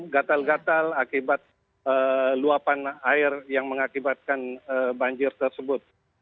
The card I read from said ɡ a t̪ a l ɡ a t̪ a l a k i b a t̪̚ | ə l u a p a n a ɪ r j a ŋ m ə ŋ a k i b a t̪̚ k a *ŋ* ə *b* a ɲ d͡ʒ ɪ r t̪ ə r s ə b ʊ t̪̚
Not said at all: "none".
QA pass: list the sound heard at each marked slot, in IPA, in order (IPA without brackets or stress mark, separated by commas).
n, b